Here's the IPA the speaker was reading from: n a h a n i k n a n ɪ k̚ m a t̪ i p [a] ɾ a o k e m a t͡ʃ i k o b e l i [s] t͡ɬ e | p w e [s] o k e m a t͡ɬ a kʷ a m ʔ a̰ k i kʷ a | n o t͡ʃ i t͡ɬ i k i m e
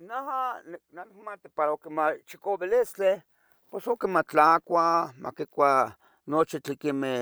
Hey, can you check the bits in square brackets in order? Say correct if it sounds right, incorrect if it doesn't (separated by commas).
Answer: correct, correct, correct